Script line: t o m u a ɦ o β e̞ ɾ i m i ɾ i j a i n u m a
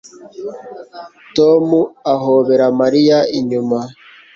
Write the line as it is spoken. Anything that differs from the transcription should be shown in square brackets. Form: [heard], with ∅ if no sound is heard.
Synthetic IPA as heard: t o m u a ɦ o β e̞ ɾ [a] m [a] ɾ i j a i [ɲ] u m a